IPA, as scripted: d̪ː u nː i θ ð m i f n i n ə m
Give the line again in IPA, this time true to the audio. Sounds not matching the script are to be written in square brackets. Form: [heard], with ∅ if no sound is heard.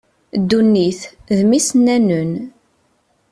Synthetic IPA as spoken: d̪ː u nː i θ ð m i [s] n [æ] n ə [n]

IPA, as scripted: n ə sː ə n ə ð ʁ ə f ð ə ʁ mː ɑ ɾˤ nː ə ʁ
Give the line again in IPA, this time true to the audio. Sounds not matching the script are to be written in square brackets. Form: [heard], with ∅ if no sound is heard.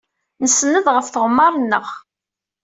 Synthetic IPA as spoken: n ə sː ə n ə ð ʁ ə f [θ] ə ʁ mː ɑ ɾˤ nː ə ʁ

